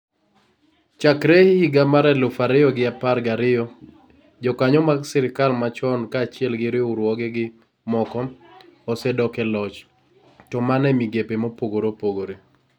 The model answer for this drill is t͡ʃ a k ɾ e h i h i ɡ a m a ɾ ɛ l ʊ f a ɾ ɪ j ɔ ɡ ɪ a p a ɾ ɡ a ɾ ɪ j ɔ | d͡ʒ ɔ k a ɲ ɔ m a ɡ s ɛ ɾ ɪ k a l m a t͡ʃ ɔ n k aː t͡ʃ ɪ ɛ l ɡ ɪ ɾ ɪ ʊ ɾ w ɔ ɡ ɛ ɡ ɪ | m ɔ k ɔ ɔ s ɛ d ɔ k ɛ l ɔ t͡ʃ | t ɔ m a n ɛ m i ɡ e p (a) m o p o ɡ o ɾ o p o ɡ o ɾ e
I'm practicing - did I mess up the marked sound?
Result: yes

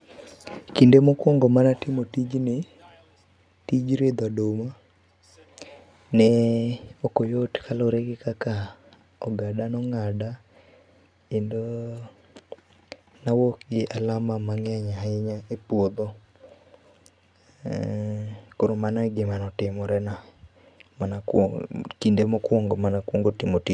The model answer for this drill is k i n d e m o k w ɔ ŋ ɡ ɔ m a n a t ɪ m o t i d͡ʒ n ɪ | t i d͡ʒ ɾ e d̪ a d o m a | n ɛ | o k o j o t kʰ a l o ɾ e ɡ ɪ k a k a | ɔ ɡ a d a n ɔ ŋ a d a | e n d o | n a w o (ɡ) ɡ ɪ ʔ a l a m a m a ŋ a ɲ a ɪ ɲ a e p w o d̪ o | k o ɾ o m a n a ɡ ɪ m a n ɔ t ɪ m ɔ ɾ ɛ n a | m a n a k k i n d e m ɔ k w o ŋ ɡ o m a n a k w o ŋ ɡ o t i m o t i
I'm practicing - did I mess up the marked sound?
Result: yes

